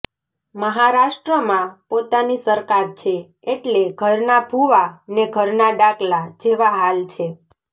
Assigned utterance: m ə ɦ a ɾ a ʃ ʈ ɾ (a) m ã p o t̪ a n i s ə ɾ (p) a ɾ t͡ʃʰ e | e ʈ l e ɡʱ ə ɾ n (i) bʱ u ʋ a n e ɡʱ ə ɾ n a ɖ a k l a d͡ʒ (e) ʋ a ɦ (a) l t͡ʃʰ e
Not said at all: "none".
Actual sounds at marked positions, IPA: ə, k, a, e, a

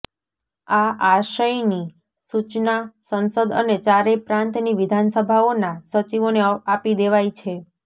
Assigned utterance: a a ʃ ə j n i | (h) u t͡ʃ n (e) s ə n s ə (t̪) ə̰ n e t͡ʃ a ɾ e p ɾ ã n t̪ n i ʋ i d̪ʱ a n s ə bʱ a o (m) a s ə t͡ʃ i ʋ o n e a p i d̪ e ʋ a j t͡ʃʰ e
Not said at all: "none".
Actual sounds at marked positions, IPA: s, a, d̪, n

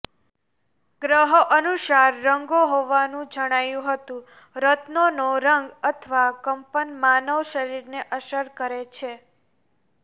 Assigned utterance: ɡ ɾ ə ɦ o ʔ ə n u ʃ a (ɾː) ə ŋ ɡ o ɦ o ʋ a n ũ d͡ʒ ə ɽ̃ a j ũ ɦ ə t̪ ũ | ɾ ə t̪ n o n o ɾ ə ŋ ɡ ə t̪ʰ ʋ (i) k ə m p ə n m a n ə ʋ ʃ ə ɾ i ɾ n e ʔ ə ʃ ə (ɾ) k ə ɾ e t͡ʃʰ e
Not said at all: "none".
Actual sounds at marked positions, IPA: ɾː, a, ɾ

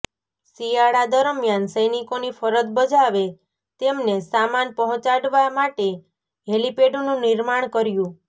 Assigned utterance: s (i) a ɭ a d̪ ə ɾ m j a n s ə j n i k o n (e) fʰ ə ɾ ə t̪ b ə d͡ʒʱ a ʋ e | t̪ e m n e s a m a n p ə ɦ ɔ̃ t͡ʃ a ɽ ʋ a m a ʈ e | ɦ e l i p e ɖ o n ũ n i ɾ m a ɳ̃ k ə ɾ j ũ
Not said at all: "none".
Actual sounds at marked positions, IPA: i, i

